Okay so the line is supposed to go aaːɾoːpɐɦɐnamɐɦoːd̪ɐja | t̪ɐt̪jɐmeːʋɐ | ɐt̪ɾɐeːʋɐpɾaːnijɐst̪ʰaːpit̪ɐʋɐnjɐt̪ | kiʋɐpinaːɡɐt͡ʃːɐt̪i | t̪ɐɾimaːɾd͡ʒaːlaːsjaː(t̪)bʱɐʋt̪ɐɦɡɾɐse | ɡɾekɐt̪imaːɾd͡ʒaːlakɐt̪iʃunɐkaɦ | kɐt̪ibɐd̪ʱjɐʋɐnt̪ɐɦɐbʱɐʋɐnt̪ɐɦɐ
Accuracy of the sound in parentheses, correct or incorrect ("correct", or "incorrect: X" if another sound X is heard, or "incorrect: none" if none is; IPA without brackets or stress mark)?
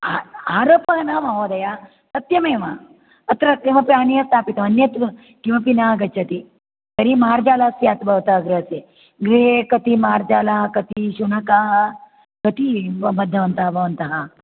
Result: correct